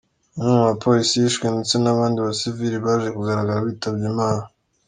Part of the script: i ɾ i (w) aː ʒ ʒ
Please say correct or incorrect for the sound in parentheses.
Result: incorrect